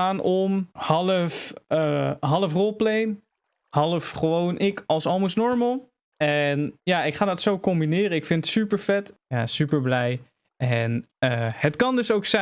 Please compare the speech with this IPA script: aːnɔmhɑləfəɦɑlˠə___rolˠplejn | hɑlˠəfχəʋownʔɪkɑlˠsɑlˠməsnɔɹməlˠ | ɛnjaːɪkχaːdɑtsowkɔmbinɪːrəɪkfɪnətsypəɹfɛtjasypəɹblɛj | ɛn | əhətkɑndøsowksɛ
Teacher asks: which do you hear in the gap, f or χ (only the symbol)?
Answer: f